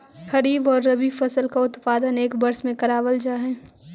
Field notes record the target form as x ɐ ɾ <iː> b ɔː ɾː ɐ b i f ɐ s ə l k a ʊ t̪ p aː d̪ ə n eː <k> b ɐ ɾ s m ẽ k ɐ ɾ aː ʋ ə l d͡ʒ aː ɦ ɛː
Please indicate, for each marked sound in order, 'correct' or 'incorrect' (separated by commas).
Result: correct, correct